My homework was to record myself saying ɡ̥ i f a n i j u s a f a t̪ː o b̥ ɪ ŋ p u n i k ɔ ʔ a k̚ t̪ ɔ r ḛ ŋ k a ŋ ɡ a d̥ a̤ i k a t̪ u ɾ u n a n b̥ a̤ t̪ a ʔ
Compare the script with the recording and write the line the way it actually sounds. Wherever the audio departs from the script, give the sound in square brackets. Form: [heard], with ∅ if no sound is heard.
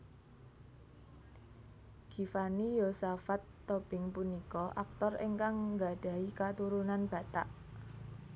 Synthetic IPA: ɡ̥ i f a n i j [o] s a f a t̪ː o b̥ ɪ ŋ p u n i k ɔ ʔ a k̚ t̪ ɔ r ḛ ŋ k a ŋ ɡ a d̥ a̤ i k a t̪ u ɾ u n a n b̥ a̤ t̪ a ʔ